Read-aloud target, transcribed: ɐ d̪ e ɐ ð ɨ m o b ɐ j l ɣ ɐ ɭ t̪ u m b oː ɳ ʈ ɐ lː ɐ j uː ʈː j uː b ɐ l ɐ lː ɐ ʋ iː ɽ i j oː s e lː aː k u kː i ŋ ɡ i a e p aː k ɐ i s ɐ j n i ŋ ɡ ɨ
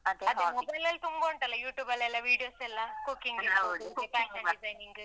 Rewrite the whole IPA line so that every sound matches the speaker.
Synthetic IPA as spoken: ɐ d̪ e ɐ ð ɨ m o b ɐ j l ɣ ɐ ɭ t̪ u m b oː ɳ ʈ ɐ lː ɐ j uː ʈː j uː b ɐ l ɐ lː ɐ ʋ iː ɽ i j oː s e lː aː k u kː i ŋ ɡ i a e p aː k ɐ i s ɐ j n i ŋ ɡ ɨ